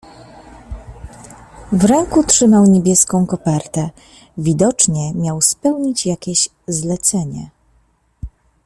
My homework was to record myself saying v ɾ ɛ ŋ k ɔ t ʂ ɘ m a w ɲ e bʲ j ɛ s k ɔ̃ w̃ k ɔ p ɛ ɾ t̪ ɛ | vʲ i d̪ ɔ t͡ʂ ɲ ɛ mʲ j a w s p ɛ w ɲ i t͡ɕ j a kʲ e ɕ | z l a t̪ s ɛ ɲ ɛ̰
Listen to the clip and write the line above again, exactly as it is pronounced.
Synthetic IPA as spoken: v ɾ ɛ ŋ k u t ʂ ɘ m a w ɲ e bʲ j ɛ s k ɔ̃ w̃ k ɔ p ɛ ɾ t̪ ɛ | vʲ i d̪ ɔ t͡ʂ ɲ ɛ mʲ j a w s p ɛ w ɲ i t͡ɕ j a kʲ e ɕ | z l ɛ t̪ s ɛ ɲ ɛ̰

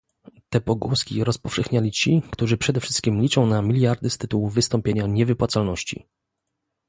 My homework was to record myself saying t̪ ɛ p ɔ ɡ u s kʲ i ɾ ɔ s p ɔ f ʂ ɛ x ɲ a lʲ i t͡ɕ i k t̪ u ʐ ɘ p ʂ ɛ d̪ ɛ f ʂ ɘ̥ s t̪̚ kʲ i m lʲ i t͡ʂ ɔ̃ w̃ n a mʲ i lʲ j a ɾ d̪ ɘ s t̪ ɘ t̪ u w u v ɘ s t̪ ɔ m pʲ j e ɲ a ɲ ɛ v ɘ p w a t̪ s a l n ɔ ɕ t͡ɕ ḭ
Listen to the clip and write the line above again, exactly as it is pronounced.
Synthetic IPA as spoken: t̪ ɛ p ɔ ɡ u s kʲ i ɾ ɔ s p ɔ f ʂ ɛ x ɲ a lʲ i t͡ɕ i k t̪ u ʐ ɘ p ʂ ɛ d̪ ɛ f ʂ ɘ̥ s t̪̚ kʲ i m lʲ i t͡ʂ ɔ̃ w̃ n a mʲ i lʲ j a ɾ d̪ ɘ s t̪ ɘ t̪ u w u v ɘ s t̪ ɔ m pʲ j e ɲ a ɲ ɛ v ɘ p w a t̪ s a l n ɔ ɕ t͡ɕ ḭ

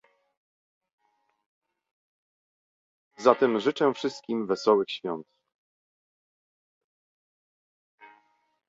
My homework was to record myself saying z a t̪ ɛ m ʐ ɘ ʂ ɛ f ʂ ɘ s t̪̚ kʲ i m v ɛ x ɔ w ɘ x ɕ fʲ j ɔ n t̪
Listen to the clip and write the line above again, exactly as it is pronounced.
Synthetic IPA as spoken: z a t̪ ɛ m ʐ ɘ t͡ʂ ɛ f ʂ ɘ s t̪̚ kʲ i m v ɛ s ɔ w ɘ x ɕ fʲ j ɔ n t̪

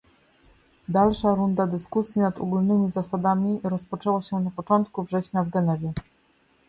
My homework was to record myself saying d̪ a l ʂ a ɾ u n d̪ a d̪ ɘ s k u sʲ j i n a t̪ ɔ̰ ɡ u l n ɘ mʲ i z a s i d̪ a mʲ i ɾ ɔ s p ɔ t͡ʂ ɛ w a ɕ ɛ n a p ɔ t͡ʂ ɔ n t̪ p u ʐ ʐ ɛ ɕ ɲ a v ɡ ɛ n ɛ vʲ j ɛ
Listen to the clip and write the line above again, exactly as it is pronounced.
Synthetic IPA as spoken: d̪ a l ʂ a ɾ u n d̪ a d̪ ɘ s k u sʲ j i n a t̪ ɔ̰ ɡ u l n ɘ mʲ i z a s a d̪ a mʲ i ɾ ɔ s p ɔ t͡ʂ ɛ w a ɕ ɛ n a p ɔ t͡ʂ ɔ n t̪ k u v ʐ ɛ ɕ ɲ a v ɡ ɛ n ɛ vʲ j ɛ

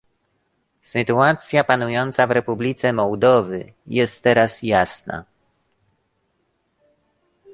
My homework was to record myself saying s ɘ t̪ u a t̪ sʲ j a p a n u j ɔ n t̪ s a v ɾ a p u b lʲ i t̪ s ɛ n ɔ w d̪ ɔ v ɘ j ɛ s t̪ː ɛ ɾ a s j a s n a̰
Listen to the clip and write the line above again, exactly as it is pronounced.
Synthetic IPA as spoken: s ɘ t̪ u a t̪ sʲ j a p a n u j ɔ n t̪ s a v ɾ ɛ p u b lʲ i t̪ s ɛ m ɔ w d̪ ɔ v ɘ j ɛ s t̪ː ɛ ɾ a s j a s n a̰

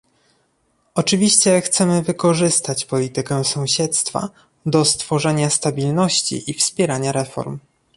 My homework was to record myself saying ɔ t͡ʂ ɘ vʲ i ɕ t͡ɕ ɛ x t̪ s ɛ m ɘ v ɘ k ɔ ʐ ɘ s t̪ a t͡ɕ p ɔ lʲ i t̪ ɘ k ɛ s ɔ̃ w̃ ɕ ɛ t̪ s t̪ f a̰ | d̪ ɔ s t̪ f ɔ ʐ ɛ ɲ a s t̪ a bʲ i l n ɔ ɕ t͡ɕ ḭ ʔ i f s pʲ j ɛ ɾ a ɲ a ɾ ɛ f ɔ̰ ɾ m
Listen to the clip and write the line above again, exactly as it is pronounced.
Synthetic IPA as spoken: ɔ t͡ʂ ɘ vʲ i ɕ t͡ɕ ɛ x t̪ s ɛ m ɘ v ɘ k ɔ ʐ ɘ s t̪ a t͡ɕ p ɔ lʲ i t̪ ɘ k ɛ s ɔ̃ w̃ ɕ ɛ t̪ s t̪ f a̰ | d̪ ɔ s t̪ f ɔ ʐ ɛ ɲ a s t̪ a bʲ i l n ɔ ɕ t͡ɕ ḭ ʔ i f s pʲ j ɛ ɾ a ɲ a ɾ ɛ f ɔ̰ ɾ m

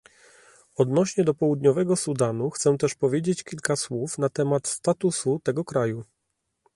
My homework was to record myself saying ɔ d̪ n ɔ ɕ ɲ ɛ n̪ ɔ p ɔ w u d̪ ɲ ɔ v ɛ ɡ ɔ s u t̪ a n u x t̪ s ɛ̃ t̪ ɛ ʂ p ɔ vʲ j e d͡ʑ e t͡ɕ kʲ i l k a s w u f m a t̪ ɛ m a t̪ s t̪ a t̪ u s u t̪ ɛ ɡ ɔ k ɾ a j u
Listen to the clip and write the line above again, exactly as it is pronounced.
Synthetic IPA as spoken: ɔ d̪ n ɔ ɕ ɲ ɛ d̪ ɔ p ɔ w u d̪ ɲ ɔ v ɛ ɡ ɔ s u d̪ a n u x t̪ s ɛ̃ t̪ ɛ ʂ p ɔ vʲ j e d͡ʑ e t͡ɕ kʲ i l k a s w u f n a t̪ ɛ m a t̪ s t̪ a t̪ u s u t̪ ɛ ɡ ɔ k ɾ a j u

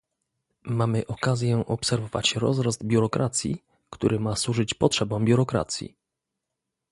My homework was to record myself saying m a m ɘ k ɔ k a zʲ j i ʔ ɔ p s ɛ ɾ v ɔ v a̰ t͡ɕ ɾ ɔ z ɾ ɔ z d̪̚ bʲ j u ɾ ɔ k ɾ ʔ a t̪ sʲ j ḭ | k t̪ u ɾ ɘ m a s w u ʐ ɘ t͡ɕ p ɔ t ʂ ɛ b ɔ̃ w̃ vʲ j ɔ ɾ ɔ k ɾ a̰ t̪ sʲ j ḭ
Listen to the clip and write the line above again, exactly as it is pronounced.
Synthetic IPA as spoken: m a m ɘ ʔ ɔ k a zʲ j ɛ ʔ ɔ p s ɛ ɾ v ɔ v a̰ t͡ɕ ɾ ɔ z ɾ ɔ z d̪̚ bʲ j u ɾ ɔ k ɾ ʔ a t̪ sʲ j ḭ | k t̪ u ɾ ɘ m a s w u ʐ ɘ t͡ɕ p ɔ t ʂ ɛ b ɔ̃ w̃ bʲ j u ɾ ɔ k ɾ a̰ t̪ sʲ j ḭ

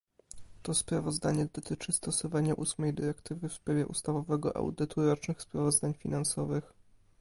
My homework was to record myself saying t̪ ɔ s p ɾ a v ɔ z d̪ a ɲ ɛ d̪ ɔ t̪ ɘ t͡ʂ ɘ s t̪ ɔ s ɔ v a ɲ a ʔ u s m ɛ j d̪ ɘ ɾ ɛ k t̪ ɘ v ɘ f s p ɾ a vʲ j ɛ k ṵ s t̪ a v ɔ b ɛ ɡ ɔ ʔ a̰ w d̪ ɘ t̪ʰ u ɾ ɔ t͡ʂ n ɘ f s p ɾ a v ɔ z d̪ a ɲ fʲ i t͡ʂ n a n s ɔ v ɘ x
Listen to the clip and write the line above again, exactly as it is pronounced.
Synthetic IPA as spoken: t̪ ɔ s p ɾ a v ɔ z d̪ a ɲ ɛ d̪ ɔ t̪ ɘ t͡ʂ ɘ s t̪ ɔ s ɔ v a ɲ a ʔ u s m ɛ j d̪ ɘ ɾ ɛ k t̪ ɘ v ɘ f s p ɾ a vʲ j ɛ ʔ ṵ s t̪ a v ɔ v ɛ ɡ ɔ ʔ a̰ w d̪ ɘ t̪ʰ u ɾ ɔ t͡ʂ n ɘ x s p ɾ a v ɔ z d̪ a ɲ fʲ i n a n s ɔ v ɘ x

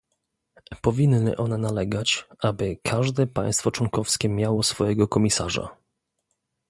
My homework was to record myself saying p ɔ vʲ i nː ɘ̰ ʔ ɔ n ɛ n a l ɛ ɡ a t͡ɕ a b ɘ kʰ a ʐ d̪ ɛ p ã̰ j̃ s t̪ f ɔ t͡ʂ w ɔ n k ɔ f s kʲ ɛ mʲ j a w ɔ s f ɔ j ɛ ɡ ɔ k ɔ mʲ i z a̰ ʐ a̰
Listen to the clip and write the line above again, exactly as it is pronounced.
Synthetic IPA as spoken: p ɔ vʲ i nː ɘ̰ ʔ ɔ n ɛ n a l ɛ ɡ a t͡ɕ a b ɘ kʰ a ʐ d̪ ɛ p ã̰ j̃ s t̪ f ɔ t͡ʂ w ɔ ŋ k ɔ f s kʲ ɛ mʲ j a w ɔ s f ɔ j ɛ ɡ ɔ k ɔ mʲ i s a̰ ʐ a̰

